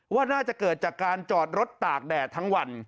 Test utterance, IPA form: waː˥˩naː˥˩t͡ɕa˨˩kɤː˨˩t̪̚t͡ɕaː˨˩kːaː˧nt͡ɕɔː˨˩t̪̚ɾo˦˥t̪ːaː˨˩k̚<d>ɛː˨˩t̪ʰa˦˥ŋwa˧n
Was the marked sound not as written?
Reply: no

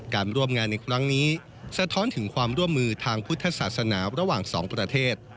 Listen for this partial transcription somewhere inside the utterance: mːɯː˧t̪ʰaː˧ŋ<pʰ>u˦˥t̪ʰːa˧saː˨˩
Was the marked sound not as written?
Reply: no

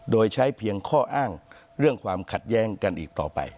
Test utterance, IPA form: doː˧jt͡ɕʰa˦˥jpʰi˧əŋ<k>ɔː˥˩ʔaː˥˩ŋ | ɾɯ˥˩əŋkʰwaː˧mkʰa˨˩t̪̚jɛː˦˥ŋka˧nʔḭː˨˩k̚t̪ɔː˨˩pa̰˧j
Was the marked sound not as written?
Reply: yes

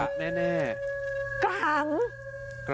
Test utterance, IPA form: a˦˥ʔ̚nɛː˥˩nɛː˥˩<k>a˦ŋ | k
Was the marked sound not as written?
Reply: no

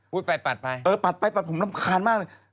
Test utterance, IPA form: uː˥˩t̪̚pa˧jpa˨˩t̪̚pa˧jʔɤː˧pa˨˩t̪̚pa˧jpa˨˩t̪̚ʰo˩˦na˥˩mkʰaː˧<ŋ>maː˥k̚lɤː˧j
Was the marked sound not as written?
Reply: yes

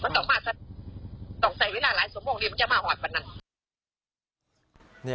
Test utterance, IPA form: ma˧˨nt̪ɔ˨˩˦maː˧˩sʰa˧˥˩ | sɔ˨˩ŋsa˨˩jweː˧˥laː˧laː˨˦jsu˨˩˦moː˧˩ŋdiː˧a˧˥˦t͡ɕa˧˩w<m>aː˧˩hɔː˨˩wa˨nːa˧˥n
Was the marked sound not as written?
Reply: no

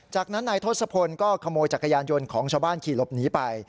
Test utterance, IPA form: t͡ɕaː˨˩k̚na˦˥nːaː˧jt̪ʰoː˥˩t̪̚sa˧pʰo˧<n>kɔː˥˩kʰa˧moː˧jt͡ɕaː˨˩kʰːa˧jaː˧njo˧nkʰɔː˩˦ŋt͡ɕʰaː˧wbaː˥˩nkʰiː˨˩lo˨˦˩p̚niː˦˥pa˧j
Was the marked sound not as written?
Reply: no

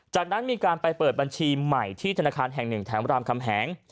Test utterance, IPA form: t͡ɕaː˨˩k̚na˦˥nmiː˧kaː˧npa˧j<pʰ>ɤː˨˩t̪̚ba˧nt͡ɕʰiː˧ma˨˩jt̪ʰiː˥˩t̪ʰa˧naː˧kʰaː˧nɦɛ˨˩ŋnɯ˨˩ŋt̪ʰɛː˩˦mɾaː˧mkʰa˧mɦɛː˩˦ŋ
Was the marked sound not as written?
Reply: yes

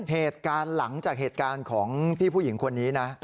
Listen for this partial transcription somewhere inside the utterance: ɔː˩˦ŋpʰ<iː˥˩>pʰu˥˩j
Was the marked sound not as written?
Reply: no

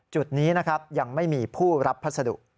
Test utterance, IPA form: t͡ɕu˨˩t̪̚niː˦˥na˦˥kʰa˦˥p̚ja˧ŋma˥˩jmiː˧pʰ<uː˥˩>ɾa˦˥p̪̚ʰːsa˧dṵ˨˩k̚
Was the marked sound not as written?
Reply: no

